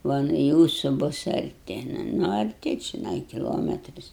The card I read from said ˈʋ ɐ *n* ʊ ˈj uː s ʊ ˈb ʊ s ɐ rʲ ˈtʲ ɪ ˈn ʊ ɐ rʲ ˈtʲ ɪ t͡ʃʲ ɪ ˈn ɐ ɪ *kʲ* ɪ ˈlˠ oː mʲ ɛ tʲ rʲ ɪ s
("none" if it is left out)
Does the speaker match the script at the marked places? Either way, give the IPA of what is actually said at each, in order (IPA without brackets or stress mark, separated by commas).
n, kʲ